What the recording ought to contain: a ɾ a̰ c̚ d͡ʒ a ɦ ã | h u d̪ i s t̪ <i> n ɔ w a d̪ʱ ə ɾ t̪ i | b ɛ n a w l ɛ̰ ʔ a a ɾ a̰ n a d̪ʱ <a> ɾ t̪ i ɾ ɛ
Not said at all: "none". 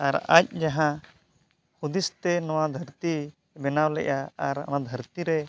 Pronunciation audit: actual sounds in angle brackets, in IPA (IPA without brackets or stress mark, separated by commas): ɛ, ə